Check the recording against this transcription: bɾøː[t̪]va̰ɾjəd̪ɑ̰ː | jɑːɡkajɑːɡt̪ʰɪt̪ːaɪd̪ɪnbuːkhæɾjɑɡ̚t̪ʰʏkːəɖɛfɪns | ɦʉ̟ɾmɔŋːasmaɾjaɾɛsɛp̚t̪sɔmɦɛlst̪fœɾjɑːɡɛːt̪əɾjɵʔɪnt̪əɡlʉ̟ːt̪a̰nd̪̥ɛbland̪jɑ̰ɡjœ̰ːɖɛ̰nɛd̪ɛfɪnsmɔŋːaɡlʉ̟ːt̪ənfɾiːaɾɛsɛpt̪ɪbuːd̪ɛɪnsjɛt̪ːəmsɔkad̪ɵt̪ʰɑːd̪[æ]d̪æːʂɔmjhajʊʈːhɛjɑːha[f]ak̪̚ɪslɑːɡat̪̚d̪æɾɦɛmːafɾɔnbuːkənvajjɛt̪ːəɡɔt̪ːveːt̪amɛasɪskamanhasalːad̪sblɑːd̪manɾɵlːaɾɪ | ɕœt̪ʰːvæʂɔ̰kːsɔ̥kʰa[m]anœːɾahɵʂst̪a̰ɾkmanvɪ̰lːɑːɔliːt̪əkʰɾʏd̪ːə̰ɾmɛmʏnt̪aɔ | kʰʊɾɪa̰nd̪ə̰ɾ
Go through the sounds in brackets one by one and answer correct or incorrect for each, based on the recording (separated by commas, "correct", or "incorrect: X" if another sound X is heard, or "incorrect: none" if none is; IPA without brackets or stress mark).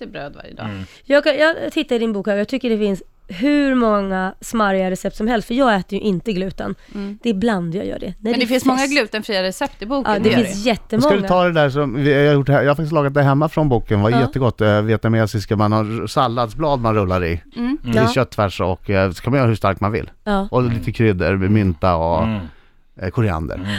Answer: incorrect: d̪, incorrect: ɛ, correct, correct